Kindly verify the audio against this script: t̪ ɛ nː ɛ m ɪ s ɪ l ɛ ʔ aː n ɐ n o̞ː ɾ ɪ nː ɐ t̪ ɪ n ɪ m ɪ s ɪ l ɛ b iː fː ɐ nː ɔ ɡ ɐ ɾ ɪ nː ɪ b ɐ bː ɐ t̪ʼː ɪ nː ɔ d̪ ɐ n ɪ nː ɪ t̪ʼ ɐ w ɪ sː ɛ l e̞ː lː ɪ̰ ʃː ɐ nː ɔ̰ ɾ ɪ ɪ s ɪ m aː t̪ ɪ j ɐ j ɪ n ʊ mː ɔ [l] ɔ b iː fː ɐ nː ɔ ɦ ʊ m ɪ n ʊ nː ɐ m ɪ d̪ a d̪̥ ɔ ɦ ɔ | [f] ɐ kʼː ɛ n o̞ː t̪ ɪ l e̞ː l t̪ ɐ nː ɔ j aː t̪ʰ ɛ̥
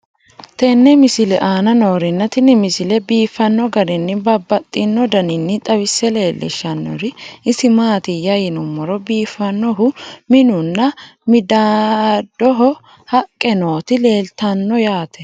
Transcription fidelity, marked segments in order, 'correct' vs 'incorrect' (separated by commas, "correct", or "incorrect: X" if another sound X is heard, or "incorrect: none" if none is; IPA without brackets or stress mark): incorrect: ɾ, incorrect: h